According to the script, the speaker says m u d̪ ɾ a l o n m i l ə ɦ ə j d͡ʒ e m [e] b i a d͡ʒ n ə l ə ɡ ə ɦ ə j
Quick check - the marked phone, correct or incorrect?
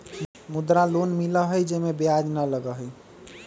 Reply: correct